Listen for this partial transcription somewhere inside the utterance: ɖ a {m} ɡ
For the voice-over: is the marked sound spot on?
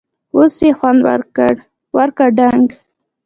no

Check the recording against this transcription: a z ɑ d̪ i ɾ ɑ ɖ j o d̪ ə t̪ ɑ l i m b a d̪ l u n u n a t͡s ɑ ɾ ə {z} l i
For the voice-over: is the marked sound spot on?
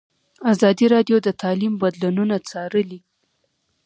no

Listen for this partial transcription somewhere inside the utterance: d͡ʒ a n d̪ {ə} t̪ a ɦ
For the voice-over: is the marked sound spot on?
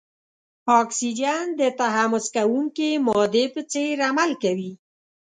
yes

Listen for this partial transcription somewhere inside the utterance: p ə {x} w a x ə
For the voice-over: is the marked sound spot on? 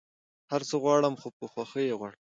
yes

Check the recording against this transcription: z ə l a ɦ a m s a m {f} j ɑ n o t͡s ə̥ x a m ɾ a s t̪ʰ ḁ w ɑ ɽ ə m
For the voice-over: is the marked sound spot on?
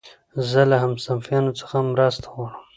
yes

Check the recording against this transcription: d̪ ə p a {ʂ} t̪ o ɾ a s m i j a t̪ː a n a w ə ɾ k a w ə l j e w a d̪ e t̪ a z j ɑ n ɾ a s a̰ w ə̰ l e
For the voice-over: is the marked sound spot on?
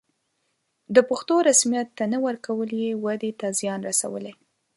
no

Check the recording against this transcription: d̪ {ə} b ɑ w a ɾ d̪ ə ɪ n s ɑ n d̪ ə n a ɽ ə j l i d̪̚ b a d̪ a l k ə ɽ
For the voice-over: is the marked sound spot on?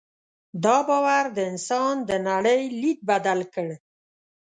no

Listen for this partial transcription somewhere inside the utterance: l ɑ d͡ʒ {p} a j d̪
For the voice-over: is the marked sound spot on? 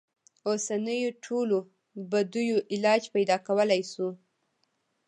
yes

